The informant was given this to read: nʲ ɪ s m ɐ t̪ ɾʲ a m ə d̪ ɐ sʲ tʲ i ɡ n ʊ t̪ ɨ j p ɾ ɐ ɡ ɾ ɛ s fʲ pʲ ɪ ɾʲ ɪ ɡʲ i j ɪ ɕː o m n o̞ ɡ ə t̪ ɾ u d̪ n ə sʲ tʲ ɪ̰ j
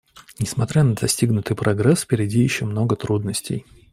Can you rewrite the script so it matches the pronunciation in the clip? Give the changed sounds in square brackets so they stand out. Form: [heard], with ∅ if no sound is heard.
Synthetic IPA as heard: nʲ ɪ s m ɐ t̪ ɾʲ a [n] ə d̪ ɐ sʲ tʲ i ɡ n ʊ t̪ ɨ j p ɾ ɐ ɡ ɾ ɛ s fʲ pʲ ɪ ɾʲ ɪ [dʲ] i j ɪ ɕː o m n o̞ ɡ ə t̪ ɾ u d̪ n ə sʲ tʲ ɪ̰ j